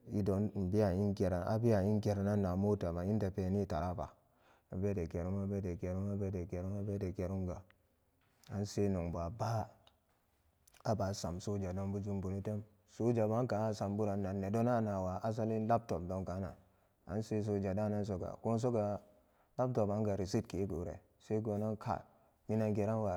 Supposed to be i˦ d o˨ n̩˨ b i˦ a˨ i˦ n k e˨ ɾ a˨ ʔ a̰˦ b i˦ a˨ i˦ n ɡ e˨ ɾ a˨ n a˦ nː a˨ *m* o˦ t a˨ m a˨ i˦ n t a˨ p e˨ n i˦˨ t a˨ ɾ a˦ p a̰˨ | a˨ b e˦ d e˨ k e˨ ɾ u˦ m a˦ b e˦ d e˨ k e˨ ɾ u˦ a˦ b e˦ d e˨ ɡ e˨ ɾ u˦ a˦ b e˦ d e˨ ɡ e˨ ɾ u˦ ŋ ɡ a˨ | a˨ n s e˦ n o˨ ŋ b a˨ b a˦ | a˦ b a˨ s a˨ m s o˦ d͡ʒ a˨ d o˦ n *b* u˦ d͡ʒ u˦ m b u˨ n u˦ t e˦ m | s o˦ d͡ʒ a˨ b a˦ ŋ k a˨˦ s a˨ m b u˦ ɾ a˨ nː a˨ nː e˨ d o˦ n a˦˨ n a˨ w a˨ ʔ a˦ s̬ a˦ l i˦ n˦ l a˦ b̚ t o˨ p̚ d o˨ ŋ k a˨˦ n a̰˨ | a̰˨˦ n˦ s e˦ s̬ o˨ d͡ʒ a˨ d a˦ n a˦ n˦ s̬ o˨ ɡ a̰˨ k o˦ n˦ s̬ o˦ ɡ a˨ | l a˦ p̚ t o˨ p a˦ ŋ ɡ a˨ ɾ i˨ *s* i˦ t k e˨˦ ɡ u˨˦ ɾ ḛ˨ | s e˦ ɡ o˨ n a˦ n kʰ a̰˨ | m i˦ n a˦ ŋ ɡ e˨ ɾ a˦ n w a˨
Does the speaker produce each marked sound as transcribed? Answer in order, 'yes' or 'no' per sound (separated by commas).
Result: yes, yes, yes